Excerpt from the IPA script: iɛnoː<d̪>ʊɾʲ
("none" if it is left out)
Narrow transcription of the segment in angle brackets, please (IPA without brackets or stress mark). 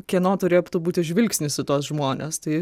t̪